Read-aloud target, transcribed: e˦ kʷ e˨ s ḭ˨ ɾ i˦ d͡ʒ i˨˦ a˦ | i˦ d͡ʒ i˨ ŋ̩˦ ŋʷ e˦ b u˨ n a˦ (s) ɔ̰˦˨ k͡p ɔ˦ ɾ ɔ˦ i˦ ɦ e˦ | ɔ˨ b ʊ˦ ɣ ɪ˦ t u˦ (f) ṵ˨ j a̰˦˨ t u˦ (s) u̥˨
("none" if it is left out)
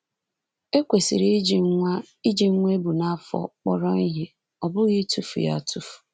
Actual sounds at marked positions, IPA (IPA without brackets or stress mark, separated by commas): f, f, f